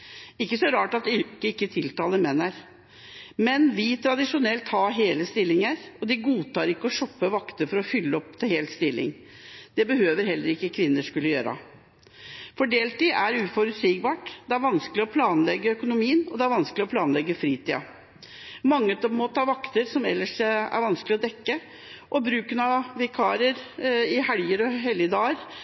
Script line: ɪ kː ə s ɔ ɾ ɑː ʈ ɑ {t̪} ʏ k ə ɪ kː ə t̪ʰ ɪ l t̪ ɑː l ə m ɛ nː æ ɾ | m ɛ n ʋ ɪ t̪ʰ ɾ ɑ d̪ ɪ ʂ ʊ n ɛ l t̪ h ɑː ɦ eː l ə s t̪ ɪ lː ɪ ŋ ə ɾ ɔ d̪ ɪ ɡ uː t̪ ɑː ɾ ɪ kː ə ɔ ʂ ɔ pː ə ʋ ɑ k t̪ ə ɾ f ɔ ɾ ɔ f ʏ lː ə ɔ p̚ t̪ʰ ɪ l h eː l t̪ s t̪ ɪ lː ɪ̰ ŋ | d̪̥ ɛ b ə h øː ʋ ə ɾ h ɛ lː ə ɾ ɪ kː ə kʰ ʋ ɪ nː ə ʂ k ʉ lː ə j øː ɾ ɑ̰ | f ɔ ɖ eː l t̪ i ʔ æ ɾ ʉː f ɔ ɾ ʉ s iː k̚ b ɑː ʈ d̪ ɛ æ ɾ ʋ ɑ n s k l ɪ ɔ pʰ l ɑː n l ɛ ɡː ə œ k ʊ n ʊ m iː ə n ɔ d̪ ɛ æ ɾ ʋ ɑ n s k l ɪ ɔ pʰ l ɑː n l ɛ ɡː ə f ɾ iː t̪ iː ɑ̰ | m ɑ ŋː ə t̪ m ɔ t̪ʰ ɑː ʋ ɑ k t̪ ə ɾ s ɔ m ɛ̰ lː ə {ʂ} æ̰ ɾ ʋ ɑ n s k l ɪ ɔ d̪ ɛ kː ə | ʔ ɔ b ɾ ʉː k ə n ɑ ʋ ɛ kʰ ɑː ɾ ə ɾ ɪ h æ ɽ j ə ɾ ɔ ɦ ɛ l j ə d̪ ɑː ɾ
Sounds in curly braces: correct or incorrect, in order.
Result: correct, correct

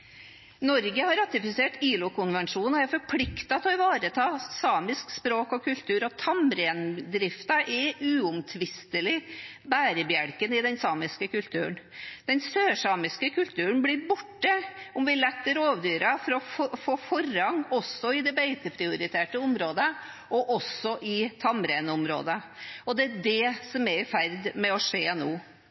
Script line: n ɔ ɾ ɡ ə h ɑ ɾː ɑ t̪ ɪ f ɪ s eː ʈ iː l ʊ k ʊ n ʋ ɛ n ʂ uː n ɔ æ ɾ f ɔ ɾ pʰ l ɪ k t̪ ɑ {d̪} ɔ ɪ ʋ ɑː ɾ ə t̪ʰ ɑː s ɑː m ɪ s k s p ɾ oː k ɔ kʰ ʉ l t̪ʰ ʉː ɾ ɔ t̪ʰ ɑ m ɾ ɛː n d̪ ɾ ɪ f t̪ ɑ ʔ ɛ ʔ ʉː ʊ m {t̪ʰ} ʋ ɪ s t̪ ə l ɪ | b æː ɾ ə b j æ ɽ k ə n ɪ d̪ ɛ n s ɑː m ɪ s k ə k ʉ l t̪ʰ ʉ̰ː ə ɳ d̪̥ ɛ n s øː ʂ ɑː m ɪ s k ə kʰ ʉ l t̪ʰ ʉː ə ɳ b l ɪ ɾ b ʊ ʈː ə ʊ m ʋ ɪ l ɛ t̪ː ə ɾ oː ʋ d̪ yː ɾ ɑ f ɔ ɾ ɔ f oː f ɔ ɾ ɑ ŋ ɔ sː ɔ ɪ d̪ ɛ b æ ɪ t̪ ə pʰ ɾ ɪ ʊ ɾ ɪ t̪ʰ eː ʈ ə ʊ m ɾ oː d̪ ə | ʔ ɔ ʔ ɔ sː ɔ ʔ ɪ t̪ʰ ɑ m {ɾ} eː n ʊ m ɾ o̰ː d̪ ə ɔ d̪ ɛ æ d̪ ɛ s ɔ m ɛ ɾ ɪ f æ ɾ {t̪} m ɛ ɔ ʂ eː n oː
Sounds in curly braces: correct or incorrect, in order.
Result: incorrect, correct, correct, incorrect

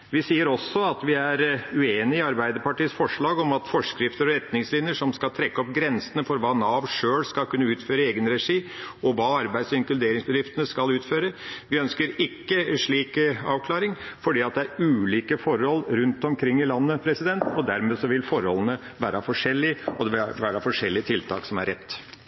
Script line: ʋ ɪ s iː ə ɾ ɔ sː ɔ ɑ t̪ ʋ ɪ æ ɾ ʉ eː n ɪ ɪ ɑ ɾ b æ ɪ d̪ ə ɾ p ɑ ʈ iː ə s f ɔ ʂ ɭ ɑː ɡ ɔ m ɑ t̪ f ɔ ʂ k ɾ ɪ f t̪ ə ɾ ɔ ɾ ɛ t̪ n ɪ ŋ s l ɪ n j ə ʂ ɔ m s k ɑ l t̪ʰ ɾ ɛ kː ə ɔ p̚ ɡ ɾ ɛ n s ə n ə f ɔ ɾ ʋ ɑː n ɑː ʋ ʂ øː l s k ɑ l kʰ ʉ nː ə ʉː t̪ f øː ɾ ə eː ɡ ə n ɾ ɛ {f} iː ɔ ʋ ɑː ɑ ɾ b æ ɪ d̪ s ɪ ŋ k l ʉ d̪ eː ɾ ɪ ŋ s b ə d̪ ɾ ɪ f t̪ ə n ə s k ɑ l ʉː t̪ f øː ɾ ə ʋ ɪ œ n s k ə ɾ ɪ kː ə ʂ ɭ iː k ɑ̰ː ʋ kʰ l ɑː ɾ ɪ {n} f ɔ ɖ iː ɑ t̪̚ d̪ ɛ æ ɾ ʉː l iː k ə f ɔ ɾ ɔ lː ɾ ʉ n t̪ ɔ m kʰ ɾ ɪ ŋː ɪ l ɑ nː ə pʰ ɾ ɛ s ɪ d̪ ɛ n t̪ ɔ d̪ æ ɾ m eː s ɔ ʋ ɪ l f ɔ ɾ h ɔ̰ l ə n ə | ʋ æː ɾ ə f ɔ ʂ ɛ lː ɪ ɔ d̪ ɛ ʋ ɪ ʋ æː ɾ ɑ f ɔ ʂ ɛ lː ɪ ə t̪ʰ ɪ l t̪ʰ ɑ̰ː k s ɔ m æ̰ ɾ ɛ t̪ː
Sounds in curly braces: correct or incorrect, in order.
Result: incorrect, incorrect

